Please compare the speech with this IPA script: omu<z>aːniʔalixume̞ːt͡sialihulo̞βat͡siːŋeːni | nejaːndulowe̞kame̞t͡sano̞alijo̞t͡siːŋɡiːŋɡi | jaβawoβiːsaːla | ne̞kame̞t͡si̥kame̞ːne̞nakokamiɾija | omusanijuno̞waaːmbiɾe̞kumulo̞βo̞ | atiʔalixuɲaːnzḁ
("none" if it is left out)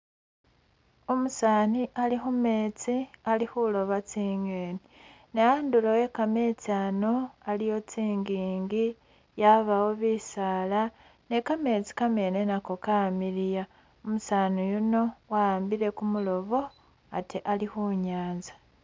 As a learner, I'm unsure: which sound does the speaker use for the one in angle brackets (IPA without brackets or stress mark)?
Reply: s